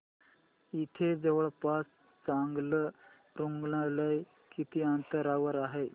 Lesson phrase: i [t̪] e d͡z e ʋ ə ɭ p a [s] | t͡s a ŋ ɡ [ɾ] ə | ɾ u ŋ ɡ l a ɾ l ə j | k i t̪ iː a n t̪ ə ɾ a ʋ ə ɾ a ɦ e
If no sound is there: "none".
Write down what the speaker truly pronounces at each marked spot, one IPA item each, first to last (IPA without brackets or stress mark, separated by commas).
t̪ʰ, s, l